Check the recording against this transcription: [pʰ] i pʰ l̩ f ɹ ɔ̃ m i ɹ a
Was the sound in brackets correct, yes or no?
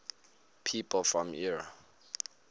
yes